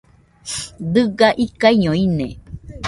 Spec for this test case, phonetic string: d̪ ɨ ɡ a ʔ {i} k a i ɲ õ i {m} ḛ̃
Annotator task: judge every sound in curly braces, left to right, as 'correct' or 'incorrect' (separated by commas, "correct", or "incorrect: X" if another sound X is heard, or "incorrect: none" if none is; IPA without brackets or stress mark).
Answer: correct, incorrect: n